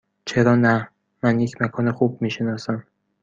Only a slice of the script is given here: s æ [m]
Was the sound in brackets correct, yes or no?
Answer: yes